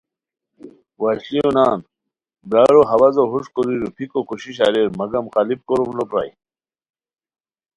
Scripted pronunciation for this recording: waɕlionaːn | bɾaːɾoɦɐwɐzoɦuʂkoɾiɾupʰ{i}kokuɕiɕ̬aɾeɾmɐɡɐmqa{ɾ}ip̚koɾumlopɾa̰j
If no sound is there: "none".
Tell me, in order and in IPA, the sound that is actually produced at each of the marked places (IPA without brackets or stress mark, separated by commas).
i, l